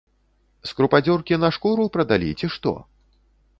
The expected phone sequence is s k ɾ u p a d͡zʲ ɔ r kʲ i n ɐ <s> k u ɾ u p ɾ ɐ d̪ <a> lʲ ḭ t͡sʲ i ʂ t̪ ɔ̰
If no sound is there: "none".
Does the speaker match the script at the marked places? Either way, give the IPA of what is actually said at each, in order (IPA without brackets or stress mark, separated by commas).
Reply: ʂ, a